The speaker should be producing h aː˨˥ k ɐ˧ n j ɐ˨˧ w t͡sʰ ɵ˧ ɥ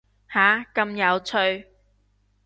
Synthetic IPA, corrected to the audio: h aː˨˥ k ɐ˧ m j ɐ˨˧ w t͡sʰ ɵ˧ ɥ